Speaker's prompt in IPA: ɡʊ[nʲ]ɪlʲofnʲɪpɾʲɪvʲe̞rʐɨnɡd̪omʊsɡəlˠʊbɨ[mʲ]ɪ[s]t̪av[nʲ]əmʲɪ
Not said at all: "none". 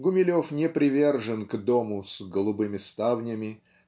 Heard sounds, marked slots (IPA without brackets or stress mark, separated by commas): mʲ, mʲ, s, nʲ